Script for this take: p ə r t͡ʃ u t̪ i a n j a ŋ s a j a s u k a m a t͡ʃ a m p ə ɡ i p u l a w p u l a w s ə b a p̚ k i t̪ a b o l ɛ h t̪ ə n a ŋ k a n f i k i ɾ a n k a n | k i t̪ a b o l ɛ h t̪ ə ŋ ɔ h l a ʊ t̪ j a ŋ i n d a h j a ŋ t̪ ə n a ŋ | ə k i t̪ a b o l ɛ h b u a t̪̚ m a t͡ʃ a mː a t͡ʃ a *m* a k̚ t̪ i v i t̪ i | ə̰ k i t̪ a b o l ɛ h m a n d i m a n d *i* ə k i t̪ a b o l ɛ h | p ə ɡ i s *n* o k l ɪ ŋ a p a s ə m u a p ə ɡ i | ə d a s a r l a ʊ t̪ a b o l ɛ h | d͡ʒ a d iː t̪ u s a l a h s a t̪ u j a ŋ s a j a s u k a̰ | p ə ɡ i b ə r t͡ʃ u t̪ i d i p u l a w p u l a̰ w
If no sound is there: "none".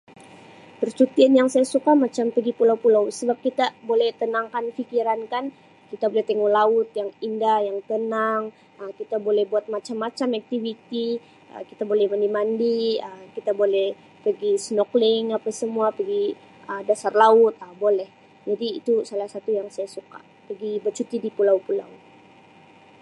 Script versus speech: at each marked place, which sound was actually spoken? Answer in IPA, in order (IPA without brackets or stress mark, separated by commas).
m, i, n